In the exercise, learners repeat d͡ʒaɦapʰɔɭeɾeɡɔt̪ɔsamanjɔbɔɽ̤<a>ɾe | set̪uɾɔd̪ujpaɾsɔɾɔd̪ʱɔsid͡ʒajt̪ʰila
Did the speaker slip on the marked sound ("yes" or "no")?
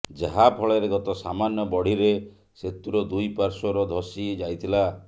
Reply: yes